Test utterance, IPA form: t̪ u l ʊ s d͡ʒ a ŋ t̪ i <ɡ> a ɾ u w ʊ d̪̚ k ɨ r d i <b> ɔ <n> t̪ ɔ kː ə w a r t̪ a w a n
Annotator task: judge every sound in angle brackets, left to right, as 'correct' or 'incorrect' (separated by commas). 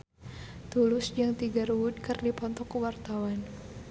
correct, incorrect, correct